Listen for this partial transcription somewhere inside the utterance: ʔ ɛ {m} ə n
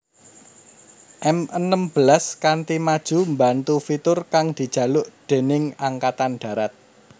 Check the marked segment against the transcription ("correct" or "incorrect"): correct